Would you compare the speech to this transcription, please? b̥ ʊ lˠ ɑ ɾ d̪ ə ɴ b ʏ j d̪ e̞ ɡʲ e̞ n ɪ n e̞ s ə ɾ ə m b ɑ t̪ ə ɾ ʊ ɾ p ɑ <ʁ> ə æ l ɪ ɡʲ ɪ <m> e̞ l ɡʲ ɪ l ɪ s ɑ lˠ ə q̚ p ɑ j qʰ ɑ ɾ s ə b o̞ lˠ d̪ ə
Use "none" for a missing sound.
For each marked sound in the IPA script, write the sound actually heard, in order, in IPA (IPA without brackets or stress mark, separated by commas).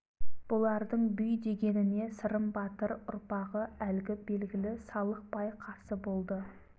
ʁ, b